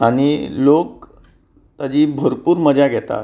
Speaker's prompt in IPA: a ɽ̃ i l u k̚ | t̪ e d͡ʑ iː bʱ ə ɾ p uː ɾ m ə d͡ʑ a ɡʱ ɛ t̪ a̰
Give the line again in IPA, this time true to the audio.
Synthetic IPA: a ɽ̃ i l o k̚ | t̪ a d͡ʑ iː bʱ ə ɾ p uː ɾ m ə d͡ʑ a ɡʱ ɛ t̪ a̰